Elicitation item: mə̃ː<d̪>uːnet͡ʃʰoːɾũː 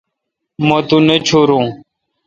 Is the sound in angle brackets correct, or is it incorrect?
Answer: incorrect